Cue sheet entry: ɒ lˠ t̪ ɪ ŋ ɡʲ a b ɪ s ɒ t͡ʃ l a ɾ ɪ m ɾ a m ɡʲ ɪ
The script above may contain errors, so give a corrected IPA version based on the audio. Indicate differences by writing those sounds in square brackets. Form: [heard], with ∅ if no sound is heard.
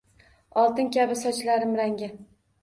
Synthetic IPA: ɒ lˠ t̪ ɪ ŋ [kʲ] a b ɪ s ɒ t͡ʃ l a ɾ ɪ m ɾ a [ŋ] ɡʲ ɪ